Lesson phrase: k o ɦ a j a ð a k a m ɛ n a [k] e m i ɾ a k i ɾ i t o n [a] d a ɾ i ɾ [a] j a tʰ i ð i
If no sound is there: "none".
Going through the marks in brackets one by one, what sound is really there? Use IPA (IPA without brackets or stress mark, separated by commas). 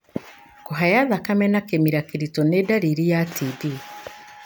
k, e, i